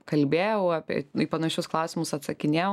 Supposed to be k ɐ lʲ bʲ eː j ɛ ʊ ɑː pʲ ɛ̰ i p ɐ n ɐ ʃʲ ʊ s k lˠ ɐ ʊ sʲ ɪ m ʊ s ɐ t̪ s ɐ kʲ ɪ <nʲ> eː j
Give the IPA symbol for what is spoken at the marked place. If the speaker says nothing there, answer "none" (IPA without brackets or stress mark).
nʲ